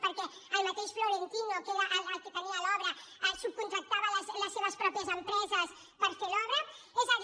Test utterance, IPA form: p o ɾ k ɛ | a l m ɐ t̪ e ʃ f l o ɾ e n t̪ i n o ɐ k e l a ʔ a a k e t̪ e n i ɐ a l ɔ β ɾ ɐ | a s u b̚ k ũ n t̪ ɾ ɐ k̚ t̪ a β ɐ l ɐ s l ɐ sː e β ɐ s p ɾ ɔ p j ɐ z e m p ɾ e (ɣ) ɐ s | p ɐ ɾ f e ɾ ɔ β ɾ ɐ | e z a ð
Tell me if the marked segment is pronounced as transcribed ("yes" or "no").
no